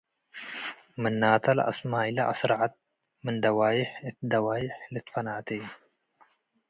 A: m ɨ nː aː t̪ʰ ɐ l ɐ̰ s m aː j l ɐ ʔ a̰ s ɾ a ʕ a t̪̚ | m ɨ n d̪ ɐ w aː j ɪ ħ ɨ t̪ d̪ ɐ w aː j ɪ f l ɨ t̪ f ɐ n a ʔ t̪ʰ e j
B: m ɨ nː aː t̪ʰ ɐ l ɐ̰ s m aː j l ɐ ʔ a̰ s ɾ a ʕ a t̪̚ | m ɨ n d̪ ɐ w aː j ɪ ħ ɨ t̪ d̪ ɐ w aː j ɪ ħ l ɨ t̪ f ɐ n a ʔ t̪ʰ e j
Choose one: B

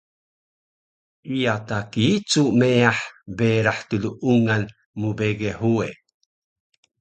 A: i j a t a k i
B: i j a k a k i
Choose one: A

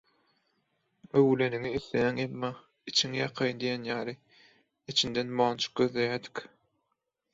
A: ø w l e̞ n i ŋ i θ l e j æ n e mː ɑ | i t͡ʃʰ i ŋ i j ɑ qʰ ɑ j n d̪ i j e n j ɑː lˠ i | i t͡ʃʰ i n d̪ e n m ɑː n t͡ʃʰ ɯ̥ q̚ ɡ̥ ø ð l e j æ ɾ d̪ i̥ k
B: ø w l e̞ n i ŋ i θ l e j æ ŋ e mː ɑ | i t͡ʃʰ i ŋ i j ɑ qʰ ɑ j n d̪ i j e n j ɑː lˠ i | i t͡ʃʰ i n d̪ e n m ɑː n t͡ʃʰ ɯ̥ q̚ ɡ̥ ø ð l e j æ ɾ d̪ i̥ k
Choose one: B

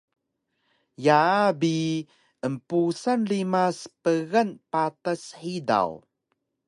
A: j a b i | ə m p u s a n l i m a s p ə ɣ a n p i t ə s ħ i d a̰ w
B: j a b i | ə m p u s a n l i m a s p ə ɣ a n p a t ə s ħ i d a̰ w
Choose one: B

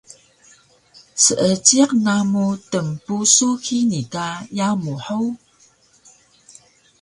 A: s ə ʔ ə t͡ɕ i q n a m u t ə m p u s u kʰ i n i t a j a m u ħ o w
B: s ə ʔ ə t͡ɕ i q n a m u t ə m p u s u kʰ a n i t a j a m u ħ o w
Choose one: A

